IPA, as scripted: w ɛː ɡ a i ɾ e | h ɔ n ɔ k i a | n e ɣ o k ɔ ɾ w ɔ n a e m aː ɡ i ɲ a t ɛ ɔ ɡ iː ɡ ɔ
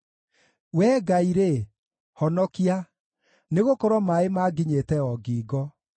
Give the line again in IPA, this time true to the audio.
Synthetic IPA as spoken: w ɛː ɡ a i ɾ e | h ɔ n ɔ k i a | n e ɣ o k ɔ ɾ w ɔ m a e m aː ɡ i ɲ e t ɛ ɔ ɡ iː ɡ ɔ